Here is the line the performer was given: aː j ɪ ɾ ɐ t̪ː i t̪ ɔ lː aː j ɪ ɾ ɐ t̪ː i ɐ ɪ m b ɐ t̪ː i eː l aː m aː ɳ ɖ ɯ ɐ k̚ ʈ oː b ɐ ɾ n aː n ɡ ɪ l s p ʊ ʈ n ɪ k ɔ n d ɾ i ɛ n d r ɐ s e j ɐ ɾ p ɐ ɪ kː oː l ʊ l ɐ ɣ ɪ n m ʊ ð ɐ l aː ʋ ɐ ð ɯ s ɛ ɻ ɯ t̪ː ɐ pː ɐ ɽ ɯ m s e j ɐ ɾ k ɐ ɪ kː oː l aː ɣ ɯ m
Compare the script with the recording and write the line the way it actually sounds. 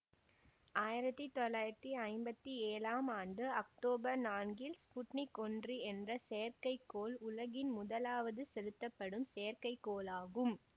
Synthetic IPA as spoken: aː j ɪ ɾ ɐ t̪ː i t̪ ɔ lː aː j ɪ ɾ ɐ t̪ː i ɐ ɪ m b ɐ t̪ː i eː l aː m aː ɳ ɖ ɯ ɐ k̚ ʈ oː b ɐ ɾ n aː n ɡ ɪ l s p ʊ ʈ n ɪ k ɔ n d r i ɛ n d r ɐ s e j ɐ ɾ k ɐ ɪ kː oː l ʊ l ɐ ɣ ɪ n m ʊ ð ɐ l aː ʋ ɐ ð ɯ s ɛ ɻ ɯ t̪ː ɐ pː ɐ ɽ ɯ m s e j ɐ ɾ k ɐ ɪ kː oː l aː ɣ ɯ m

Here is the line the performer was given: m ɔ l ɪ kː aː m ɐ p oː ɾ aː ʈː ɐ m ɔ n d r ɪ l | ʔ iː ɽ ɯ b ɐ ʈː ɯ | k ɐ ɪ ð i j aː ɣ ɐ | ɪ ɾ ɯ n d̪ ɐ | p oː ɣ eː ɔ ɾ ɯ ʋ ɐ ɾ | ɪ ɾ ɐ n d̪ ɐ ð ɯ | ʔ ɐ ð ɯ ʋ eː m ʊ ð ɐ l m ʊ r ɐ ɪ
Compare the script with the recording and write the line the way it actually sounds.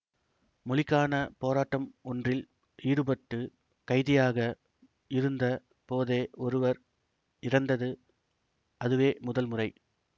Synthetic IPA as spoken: m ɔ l ɪ kː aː n ɐ p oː ɾ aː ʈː ɐ m ɔ n d r ɪ l | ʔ iː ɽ ɯ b ɐ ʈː ɯ | k ɐ ɪ ð ɪ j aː ɣ ɐ | ɪ ɾ ɯ n d̪ ɐ | p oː ð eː ɔ ɾ ɯ ʋ ɐ ɾ | ɪ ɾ ɐ n d̪ ɐ ð ɯ | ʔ ɐ ð ɯ ʋ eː m ʊ ð ɐ l m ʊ r ɐ ɪ

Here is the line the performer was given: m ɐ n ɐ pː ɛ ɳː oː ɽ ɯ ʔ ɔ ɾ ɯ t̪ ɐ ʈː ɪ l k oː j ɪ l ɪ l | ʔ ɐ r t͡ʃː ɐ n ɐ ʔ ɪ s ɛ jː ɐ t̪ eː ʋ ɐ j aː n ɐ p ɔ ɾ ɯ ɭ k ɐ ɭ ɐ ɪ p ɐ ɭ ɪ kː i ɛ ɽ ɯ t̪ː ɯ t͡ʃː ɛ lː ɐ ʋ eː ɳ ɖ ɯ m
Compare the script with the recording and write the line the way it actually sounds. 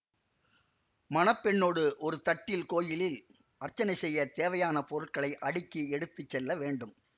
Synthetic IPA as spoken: m ɐ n ɐ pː ɛ ɳː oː ɽ ɯ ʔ ɔ ɾ ɯ t̪ ɐ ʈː ɪ l k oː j ɪ l ɪ l | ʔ ɐ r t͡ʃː ɐ n ɐ ɪ s ɛ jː ɐ t̪ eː ʋ ɐ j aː n ɐ p ɔ ɾ ɯ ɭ k ɐ ɭ ɐ ɪ ʔ ɐ ɽ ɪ kː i ɛ ɽ ɯ t̪ː ɯ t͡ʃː ɛ lː ɐ ʋ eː ɳ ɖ ɯ m

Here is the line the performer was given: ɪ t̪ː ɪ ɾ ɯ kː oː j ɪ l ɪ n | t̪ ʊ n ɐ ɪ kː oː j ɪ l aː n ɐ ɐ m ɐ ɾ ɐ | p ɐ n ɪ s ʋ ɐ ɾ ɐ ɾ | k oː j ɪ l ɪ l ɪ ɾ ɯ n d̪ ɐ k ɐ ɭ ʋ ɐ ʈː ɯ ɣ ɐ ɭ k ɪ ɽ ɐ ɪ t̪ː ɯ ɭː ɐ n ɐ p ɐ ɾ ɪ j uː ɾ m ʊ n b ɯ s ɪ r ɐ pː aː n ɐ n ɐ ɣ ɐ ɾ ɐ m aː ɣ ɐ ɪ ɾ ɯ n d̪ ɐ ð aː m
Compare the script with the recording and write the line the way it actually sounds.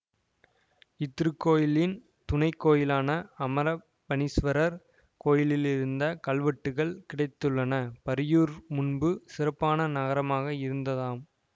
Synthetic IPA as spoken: ɪ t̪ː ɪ ɾ ɯ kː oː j ɪ l ɪ n | t̪ ʊ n ɐ ɪ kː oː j ɪ l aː n ɐ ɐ m ɐ ɾ ɐ | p ɐ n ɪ s ʋ ɐ ɾ ɐ ɾ | k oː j ɪ l ɪ l ɪ ɾ ɯ n d̪ ɐ k ɐ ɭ ʋ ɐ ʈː ɯ ɣ ɐ ɭ k ɪ ɽ ɐ ɪ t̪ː ɯ ɭː ɐ n ɐ p ɐ ɾ ɪ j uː ɾ m ʊ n b ɯ s ɪ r ɐ pː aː n ɐ n ɐ ɣ ɐ ɾ ɐ m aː ɣ ɐ ɪ ɾ ɯ n d̪ ɐ ð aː m

